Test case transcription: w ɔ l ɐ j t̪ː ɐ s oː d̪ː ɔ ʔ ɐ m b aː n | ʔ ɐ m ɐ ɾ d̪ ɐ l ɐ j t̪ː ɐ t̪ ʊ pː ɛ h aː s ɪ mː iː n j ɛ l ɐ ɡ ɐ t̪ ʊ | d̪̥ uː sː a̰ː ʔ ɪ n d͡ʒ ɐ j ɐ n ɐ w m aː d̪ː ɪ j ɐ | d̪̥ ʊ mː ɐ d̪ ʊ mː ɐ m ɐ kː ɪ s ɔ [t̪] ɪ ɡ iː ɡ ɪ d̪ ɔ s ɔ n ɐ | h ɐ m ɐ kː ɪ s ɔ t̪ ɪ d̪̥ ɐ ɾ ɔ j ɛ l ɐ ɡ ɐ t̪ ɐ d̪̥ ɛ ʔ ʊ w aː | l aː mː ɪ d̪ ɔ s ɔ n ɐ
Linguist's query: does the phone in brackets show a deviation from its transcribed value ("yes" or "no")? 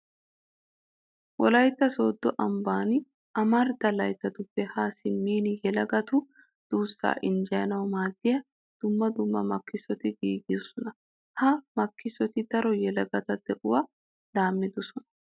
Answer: no